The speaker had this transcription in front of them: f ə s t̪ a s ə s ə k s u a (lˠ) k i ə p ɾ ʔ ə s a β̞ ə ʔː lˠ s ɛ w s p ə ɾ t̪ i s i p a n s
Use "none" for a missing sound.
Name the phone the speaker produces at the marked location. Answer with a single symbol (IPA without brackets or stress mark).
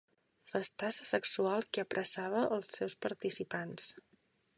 lˠ